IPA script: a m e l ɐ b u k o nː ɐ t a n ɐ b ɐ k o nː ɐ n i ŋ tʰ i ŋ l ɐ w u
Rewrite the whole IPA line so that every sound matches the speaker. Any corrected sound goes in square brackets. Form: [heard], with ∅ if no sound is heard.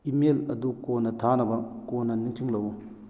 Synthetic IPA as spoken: [i] m e l ɐ [d] u k o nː ɐ [tʰ] a n ɐ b ɐ k o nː ɐ n i ŋ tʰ i ŋ l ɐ w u